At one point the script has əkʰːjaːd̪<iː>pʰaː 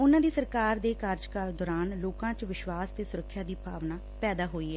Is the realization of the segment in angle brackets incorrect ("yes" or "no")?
no